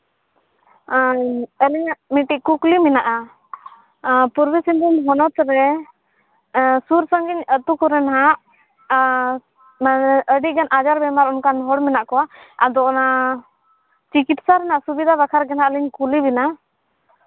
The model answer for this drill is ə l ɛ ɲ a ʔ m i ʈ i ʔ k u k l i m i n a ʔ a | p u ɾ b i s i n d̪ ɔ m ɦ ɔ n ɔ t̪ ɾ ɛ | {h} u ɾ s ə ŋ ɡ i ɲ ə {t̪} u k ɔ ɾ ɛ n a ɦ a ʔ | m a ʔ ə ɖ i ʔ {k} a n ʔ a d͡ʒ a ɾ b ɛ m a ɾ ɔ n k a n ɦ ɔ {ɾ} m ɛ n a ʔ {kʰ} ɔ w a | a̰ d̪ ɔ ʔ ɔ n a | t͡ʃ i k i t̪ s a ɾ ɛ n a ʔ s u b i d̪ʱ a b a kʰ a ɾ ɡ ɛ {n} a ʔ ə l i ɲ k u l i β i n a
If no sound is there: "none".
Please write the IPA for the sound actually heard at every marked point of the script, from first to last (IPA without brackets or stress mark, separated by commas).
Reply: s, t̪, ɡ, ɽ, k, n